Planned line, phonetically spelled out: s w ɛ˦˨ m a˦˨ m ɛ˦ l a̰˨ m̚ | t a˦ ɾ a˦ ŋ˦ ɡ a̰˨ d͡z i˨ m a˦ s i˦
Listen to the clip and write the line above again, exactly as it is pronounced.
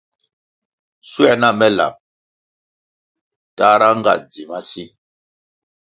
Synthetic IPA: s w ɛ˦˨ n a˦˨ m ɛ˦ l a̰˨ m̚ | t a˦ ɾ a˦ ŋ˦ ɡ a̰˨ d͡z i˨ m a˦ s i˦